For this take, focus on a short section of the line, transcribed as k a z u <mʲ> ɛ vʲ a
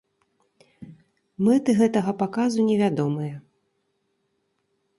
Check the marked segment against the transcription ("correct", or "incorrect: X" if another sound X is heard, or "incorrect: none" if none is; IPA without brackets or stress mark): incorrect: nʲ